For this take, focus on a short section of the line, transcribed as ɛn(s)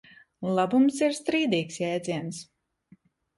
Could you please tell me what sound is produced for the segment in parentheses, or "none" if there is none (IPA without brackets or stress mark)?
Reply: s